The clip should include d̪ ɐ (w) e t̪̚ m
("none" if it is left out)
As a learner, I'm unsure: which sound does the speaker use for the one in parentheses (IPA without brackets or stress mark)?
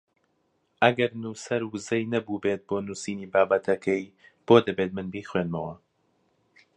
b